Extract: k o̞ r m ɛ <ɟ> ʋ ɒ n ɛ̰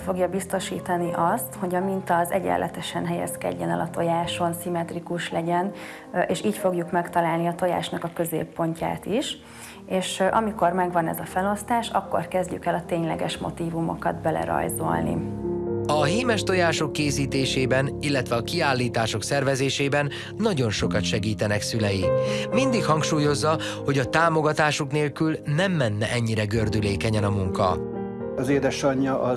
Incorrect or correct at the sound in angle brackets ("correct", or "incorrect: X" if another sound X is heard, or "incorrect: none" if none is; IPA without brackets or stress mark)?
incorrect: ɡ